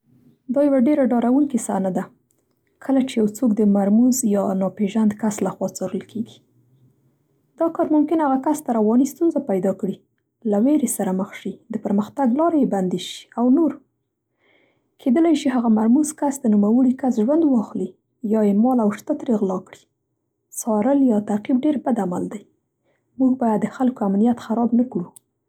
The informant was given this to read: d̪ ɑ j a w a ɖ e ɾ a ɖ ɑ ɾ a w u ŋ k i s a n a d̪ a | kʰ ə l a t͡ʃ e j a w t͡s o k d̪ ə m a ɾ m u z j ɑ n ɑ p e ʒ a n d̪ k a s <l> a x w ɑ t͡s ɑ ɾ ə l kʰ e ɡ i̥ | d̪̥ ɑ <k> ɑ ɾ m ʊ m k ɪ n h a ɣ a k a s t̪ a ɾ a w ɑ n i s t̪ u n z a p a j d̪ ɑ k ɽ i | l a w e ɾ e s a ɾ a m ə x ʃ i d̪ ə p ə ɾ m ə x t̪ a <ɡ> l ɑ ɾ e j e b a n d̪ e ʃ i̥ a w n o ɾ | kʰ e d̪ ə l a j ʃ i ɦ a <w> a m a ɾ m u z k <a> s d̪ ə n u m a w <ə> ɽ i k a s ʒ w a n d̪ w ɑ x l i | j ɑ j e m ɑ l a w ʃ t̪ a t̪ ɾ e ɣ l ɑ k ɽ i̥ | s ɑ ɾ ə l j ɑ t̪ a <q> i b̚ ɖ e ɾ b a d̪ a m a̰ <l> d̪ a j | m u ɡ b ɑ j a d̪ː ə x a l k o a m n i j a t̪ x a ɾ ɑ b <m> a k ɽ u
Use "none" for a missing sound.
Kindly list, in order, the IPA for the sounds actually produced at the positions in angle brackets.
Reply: l, k, ɡ, ɣ, a, ə, q, l, n

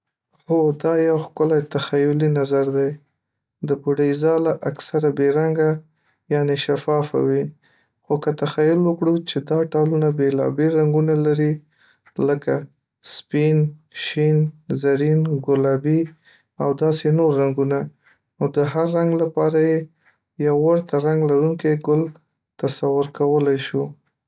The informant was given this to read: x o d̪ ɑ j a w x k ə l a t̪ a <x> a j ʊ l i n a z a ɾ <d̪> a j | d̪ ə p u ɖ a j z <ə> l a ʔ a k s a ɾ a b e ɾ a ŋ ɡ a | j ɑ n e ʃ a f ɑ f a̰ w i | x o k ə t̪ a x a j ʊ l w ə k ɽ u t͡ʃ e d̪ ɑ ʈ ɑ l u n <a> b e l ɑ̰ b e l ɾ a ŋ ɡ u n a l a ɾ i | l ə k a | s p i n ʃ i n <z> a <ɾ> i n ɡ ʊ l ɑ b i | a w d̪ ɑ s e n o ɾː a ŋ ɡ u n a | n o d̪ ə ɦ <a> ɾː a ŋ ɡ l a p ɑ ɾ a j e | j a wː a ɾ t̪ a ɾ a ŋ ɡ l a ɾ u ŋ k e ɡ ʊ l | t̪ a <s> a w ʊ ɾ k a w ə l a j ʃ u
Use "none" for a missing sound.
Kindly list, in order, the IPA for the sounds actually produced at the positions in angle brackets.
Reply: x, d̪, ɑ, a, z, ɾ, a, s

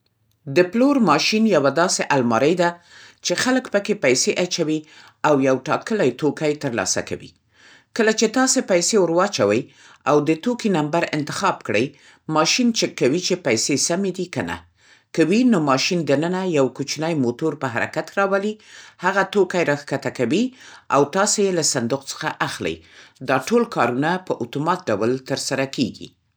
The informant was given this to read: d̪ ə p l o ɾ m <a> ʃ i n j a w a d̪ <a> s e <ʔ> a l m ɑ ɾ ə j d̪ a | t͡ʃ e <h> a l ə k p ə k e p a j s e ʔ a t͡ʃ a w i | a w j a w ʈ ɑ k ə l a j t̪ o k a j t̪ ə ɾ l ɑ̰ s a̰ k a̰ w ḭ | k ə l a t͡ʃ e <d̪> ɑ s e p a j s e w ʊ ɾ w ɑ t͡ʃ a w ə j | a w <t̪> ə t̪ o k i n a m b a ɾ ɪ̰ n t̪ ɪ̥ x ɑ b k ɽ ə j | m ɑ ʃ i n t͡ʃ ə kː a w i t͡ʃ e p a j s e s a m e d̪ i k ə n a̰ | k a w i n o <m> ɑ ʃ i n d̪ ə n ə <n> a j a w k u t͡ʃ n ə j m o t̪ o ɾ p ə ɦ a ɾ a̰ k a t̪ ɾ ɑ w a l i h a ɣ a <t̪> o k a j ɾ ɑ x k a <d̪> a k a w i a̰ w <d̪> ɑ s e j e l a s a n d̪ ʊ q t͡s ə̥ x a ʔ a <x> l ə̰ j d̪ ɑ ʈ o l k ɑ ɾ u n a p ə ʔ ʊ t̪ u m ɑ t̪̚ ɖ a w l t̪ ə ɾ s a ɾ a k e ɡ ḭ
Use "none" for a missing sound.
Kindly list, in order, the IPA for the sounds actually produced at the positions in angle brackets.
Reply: ɑ, ɑ, ʔ, x, t̪, d̪, m, n, t̪, t̪, t̪, x

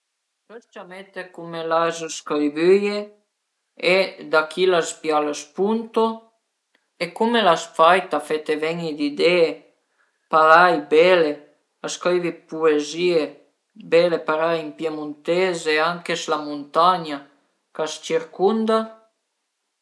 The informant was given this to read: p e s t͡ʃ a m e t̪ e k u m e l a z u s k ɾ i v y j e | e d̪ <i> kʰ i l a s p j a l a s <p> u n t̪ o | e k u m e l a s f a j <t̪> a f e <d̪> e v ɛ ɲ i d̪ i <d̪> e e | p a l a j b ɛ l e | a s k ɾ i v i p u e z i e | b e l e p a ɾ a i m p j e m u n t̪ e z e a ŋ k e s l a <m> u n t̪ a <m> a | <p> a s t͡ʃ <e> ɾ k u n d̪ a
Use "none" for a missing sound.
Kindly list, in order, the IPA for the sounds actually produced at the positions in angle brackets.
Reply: a, p, t̪, t̪, d̪, m, ɲ, k, i

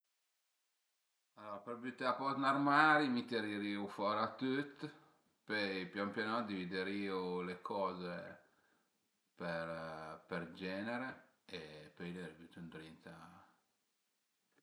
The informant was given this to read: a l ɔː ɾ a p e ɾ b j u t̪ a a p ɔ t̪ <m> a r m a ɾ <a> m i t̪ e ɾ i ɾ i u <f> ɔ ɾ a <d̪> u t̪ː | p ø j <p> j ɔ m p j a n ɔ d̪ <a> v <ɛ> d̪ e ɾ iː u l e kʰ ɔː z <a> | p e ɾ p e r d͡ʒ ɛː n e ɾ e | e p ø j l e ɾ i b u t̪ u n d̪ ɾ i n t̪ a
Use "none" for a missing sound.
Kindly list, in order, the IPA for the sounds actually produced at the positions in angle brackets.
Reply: n, i, f, t̪, p, i, i, e

